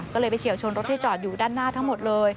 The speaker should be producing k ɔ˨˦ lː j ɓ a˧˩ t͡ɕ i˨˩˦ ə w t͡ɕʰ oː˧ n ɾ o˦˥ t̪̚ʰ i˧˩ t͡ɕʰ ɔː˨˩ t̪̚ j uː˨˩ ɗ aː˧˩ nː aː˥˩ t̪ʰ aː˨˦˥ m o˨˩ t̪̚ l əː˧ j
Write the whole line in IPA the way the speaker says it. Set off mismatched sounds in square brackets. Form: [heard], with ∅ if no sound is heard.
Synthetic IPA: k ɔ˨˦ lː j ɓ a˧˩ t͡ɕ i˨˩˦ ə w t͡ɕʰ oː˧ n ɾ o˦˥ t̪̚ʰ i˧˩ [t͡ɕ] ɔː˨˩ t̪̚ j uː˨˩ ɗ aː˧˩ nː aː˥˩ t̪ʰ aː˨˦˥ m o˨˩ t̪̚ l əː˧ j